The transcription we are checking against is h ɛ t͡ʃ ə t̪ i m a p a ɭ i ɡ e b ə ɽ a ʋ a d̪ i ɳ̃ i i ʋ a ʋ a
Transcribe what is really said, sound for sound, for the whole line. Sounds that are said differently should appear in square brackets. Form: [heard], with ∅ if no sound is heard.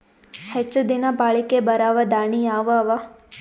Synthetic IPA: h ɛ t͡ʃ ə [d̪] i [n] a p a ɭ i [k] e b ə [ɾ] a ʋ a d̪ [a] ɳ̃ i [a] ʋ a ʋ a